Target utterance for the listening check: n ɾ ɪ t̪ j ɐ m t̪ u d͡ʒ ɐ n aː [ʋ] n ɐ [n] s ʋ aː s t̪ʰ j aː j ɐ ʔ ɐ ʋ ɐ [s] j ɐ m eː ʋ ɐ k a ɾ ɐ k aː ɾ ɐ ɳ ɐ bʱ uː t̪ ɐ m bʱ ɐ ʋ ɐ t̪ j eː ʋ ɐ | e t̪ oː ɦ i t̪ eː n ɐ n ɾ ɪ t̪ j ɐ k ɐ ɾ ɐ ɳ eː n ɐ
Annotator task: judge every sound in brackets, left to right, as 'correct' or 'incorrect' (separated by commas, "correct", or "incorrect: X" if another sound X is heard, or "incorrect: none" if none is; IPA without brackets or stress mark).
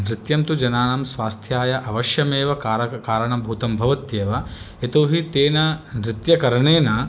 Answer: incorrect: none, incorrect: m, incorrect: ʃ